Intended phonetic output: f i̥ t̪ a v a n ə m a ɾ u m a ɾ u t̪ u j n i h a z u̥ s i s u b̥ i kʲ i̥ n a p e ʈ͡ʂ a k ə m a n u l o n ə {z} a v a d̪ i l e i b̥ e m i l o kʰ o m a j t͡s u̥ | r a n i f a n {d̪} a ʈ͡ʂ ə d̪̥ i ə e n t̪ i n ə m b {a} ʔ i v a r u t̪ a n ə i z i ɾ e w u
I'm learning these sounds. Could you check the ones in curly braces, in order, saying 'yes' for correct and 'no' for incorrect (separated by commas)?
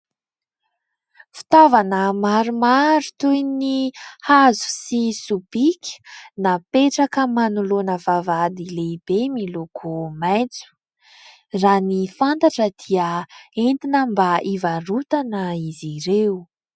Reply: no, no, yes